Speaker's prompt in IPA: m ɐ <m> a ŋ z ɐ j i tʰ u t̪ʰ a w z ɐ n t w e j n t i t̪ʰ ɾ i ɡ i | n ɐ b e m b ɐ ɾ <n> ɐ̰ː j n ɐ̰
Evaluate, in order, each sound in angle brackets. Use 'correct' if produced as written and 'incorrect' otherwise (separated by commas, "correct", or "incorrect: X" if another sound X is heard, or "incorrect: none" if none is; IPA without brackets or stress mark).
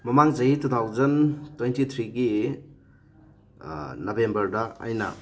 correct, incorrect: d